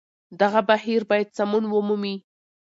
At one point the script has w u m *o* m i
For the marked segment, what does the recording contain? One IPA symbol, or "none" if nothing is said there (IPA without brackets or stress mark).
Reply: u